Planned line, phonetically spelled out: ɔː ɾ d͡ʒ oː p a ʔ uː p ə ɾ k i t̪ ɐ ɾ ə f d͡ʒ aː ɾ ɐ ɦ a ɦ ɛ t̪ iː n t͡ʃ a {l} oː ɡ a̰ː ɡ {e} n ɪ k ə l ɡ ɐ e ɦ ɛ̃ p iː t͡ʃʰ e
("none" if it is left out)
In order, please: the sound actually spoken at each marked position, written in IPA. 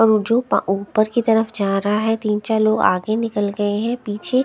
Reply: l, e

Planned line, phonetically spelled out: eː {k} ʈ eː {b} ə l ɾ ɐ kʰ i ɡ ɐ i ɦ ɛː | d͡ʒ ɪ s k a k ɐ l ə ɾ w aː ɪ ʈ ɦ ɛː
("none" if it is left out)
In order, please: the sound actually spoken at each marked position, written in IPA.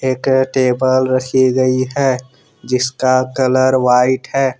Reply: k, b

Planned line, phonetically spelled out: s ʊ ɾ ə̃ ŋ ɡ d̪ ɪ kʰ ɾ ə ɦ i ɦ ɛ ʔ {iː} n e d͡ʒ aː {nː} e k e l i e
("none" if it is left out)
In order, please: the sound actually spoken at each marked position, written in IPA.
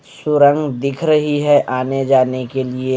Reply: aː, n

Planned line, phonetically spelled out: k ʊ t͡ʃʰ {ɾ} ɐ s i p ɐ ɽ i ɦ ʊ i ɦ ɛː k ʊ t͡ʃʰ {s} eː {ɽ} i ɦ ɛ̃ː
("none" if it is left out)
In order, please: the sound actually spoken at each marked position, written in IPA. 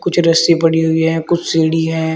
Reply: ɾ, s, ɽ

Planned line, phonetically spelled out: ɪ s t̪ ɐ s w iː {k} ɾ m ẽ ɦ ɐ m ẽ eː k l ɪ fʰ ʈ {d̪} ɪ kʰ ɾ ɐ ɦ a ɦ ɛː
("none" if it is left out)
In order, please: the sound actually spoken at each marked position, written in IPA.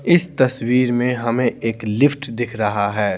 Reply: none, d̪

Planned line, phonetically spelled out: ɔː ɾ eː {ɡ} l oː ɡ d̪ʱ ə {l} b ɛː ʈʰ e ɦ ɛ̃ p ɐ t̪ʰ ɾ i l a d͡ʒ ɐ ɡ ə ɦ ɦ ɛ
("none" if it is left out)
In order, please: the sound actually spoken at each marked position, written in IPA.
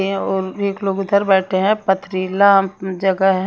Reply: k, ɾ

